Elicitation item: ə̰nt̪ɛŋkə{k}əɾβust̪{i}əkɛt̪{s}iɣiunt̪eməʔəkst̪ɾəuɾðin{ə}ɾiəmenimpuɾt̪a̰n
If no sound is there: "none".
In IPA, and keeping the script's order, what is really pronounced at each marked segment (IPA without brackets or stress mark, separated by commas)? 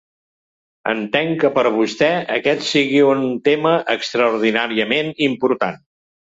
p, ɛ, s, a